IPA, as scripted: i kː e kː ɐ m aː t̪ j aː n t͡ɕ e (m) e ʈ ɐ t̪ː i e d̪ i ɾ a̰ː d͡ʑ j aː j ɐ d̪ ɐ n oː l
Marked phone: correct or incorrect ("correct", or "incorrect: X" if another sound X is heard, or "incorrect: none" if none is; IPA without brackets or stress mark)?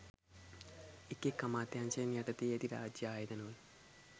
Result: incorrect: n